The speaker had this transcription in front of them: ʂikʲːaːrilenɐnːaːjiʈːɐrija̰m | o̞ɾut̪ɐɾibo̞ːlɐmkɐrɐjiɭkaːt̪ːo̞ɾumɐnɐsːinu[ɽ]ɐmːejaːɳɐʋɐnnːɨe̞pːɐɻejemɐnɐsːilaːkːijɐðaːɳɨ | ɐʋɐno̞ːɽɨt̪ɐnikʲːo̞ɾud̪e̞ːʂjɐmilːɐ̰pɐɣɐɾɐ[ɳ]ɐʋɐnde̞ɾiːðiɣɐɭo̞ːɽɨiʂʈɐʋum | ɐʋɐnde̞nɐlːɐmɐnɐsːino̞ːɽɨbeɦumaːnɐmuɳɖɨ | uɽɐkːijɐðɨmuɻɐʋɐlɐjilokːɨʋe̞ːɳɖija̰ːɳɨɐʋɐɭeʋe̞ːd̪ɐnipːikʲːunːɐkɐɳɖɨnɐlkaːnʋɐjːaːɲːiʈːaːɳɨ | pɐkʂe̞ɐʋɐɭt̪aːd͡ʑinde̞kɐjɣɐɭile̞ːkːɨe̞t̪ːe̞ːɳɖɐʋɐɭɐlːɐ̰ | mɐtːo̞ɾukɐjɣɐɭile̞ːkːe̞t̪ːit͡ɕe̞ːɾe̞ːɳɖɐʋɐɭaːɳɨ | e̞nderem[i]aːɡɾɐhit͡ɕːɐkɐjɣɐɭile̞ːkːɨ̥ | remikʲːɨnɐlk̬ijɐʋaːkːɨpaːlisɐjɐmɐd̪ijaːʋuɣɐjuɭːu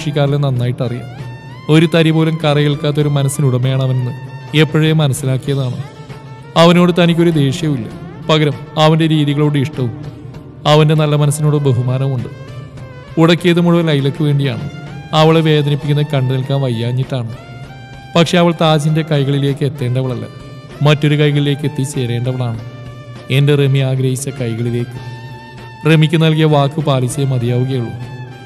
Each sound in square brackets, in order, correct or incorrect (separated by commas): correct, incorrect, correct